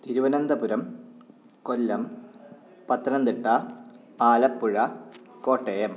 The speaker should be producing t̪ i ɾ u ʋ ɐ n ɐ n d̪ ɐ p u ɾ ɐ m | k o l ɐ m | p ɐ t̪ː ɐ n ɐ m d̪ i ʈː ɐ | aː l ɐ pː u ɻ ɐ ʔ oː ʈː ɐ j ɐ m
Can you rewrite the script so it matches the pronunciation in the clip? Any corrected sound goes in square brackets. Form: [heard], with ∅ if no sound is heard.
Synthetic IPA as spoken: t̪ i ɾ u ʋ ɐ n ɐ n d̪ ɐ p u ɾ ɐ m | k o [lː] ɐ m | p ɐ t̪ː ɐ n ɐ [n] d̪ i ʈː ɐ | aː l ɐ pː u ɻ ɐ [k] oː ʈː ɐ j ɐ m